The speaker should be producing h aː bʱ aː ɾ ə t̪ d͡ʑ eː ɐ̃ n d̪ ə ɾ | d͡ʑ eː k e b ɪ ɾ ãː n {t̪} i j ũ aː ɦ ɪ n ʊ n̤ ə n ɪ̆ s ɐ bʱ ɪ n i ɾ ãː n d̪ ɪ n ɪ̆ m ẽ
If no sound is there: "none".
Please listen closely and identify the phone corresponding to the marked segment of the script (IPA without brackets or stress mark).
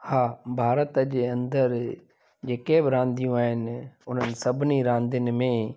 d̪